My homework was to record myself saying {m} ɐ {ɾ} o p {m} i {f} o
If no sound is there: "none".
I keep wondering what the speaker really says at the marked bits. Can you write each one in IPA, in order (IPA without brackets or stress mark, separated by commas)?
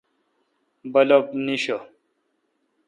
b, l, n, ɕ